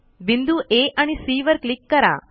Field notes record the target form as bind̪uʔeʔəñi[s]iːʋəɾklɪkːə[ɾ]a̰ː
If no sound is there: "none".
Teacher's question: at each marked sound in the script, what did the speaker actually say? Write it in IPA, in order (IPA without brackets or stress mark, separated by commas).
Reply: s, ɾ